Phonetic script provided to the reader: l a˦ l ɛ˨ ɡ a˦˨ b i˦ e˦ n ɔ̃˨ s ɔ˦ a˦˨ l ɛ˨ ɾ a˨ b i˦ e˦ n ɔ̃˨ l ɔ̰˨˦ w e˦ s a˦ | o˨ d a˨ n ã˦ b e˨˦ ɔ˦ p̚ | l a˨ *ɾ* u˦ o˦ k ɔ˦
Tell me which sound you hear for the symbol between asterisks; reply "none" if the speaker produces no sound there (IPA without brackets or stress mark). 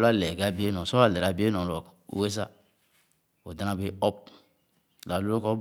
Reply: l